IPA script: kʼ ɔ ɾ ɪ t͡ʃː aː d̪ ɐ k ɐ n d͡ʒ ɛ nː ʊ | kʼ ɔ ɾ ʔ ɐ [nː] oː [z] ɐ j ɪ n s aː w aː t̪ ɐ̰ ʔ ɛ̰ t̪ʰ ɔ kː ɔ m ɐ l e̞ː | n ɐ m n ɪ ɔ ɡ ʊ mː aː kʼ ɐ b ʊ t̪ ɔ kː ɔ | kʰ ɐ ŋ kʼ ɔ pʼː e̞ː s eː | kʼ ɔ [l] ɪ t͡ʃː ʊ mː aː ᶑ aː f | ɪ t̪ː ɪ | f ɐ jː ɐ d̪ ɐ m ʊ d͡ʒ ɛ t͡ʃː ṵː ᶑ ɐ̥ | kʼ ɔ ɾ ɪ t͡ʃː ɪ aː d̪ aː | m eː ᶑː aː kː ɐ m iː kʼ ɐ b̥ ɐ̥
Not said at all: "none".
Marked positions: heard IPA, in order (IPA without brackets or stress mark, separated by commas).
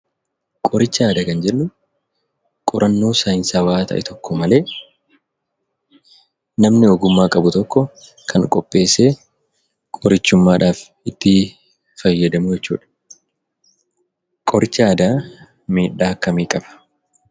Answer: nː, s, ɾ